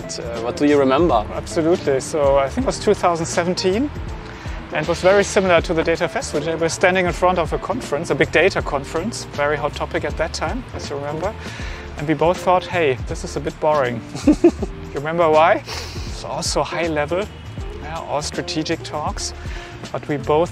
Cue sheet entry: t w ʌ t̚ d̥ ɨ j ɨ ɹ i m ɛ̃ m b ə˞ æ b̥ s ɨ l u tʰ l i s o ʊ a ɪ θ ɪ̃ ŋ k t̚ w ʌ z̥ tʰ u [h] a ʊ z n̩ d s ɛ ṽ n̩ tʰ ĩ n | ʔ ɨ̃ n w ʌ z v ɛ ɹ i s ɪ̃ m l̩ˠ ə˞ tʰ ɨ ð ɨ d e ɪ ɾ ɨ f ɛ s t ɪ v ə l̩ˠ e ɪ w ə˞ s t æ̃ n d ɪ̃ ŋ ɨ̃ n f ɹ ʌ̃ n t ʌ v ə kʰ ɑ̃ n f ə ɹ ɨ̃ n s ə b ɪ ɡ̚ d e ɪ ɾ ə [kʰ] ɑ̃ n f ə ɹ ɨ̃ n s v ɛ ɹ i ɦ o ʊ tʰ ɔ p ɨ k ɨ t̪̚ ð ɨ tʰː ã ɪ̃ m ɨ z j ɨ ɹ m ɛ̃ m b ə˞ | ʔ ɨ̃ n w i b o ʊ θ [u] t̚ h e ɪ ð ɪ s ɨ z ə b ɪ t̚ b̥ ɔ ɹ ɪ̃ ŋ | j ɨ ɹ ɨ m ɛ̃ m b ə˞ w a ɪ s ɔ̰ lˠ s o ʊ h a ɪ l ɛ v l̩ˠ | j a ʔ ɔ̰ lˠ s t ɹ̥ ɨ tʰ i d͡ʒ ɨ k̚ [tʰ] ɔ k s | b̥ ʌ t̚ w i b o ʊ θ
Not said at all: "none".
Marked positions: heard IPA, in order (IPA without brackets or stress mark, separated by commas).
θ, kʰ, ɔ, tʰ